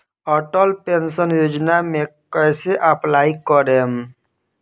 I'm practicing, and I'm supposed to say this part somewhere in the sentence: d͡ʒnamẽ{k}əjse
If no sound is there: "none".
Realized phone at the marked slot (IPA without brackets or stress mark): k